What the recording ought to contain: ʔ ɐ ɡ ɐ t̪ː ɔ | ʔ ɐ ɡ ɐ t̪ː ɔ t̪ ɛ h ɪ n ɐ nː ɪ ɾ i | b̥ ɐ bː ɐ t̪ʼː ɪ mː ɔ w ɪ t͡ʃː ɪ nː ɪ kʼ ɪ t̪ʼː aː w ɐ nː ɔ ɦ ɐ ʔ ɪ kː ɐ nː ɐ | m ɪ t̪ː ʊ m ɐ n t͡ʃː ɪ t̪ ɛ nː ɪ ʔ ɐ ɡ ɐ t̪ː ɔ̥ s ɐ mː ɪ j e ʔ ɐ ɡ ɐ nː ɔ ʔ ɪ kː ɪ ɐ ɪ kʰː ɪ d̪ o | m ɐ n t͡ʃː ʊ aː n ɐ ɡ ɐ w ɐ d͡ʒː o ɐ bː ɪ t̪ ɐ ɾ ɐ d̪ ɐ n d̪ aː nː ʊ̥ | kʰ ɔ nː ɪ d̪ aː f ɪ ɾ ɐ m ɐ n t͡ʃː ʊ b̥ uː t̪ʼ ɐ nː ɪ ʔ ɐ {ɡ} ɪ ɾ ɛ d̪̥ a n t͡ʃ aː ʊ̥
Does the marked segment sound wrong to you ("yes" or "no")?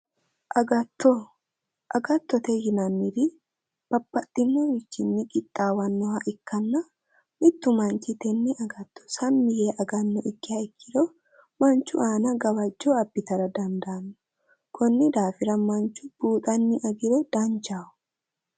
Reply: no